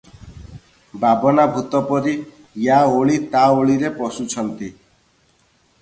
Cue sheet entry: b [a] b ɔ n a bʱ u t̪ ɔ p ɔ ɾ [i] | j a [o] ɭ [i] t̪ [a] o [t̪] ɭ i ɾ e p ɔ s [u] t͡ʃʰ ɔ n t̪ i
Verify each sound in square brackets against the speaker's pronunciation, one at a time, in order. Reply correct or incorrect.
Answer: correct, correct, correct, correct, correct, incorrect: none, correct

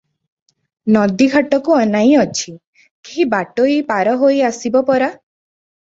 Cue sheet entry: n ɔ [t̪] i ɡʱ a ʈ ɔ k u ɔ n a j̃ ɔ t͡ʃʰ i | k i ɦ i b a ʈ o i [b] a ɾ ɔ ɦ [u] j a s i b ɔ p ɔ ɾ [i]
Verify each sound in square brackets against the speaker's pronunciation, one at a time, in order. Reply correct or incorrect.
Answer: incorrect: d̪, incorrect: p, incorrect: o, incorrect: a

